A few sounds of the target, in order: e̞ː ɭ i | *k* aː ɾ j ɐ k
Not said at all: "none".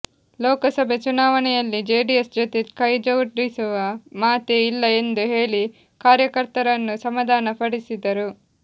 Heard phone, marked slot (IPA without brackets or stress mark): k